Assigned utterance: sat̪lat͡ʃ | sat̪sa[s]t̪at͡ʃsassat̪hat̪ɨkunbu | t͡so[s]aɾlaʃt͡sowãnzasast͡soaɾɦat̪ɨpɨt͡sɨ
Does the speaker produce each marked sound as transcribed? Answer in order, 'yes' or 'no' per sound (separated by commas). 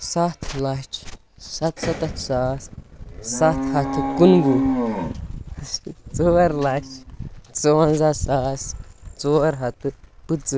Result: no, no